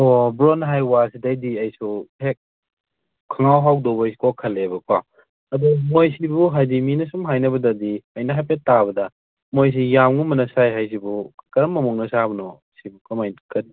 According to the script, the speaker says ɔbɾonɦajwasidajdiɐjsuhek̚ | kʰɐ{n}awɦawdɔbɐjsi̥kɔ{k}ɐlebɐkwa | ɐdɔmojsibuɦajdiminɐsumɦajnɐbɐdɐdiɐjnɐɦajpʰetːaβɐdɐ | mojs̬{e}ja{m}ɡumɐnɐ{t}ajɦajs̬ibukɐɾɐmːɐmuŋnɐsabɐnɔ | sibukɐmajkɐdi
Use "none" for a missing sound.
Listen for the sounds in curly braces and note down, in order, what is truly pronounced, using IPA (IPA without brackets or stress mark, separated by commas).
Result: ŋ, kʰ, i, m, s